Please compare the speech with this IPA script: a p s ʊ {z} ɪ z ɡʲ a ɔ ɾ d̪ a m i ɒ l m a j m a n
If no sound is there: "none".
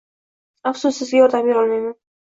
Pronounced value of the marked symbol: s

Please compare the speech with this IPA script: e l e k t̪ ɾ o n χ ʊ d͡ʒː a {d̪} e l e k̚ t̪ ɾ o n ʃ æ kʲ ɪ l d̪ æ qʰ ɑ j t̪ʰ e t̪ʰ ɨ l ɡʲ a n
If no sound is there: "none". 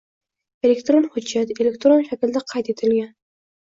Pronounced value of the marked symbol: t̪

